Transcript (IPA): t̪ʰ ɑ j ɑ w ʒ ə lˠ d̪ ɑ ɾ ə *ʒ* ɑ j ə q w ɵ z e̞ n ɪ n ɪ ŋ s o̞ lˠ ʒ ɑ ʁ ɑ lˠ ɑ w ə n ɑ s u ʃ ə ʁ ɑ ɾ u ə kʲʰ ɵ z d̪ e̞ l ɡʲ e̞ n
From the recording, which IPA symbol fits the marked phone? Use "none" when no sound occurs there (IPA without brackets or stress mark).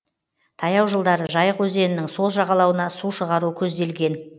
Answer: ʒ